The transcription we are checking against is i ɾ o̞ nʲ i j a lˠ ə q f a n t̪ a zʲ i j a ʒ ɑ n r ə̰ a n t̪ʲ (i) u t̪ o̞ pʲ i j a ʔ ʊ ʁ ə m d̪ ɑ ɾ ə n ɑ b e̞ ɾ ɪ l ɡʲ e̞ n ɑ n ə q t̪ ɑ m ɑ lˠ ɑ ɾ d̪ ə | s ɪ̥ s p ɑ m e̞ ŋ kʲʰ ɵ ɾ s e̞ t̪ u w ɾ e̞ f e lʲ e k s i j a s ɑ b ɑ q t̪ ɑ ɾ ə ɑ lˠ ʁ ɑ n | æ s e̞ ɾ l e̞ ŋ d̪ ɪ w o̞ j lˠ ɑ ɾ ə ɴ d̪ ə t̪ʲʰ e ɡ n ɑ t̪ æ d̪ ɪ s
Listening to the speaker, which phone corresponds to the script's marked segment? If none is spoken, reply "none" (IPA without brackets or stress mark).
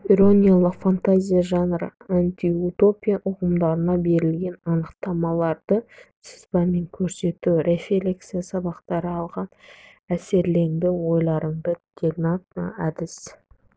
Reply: i